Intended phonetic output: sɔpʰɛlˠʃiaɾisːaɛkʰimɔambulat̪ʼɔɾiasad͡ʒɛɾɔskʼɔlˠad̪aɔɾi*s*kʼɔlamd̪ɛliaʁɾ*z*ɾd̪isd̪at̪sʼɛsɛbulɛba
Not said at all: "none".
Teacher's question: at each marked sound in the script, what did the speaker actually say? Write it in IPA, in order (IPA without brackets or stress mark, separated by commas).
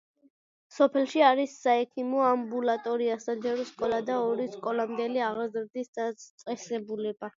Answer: s, z